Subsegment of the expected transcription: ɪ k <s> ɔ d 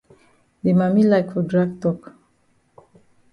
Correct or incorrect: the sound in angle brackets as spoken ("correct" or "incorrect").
incorrect